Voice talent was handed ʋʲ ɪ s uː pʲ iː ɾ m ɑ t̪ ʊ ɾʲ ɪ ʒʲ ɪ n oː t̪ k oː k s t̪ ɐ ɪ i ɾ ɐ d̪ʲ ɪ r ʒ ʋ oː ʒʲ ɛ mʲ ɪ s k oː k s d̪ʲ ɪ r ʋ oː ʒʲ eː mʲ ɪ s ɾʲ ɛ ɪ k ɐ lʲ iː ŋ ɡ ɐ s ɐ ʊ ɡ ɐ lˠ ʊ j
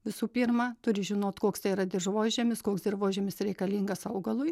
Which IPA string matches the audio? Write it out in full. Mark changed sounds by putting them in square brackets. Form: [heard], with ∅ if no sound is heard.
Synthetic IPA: ʋʲ ɪ s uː pʲ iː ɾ m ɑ t̪ ʊ ɾʲ ɪ ʒʲ ɪ n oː t̪ k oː k s t̪ ɐ ɪ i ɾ ɐ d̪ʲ ɪ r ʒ ʋ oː ʒʲ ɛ mʲ ɪ s k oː k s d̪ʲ ɪ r ʋ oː ʒʲ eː mʲ ɪ s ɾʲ ɛ ɪ k ɐ lʲ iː ŋ ɡ ɐ s ɐ ʊ ɡ ɐ lˠ ʊ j